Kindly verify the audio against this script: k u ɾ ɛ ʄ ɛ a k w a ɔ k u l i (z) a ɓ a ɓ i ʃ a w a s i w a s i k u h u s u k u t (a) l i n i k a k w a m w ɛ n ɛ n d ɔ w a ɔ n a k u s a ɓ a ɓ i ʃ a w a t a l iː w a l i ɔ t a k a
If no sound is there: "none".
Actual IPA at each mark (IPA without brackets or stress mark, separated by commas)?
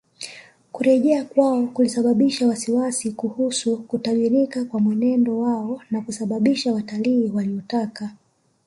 s, a